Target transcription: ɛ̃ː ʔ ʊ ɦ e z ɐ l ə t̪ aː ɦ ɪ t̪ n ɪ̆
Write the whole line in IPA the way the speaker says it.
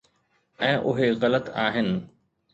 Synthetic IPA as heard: ɛ̃ː ʔ ʊ ɦ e ɣ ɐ l ə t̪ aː ɦ ɪ n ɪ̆